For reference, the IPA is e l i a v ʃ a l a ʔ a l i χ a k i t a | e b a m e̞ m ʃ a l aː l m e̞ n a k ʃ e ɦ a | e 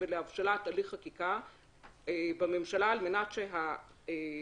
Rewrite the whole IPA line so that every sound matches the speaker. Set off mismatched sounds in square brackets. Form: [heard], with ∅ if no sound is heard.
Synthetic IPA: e l [e] a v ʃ a l a [t] a l i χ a k i [k] a | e b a m e̞ m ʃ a l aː l m e̞ n a [t] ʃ e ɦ a | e

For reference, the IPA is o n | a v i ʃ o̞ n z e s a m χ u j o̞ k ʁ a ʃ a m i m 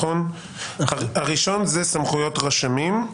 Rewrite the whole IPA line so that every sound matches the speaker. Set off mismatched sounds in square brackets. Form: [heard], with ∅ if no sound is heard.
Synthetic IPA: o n | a [ʁ] i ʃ o̞ n z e s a m χ u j o̞ [t] ʁ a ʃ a m i m

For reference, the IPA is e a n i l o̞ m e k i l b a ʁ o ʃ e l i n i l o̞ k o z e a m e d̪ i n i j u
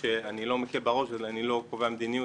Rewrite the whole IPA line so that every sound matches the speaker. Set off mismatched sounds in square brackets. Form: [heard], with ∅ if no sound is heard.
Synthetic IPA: e a n i l o̞ m e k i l b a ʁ o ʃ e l [a] n i l o̞ k o [v] e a m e d̪ i n i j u

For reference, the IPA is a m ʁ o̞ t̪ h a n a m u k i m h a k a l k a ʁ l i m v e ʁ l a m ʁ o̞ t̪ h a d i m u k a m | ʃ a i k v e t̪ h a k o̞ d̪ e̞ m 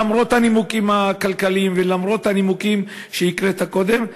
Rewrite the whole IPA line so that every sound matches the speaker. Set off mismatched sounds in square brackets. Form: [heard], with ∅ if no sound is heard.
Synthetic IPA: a m ʁ o̞ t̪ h a n [i] m u k i m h a k a l k a [∅] l i m v e [∅] l a m ʁ o̞ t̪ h a [n] i m u k [i] m | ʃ [e] i k [ʁ] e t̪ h a k o̞ d̪ e̞ m

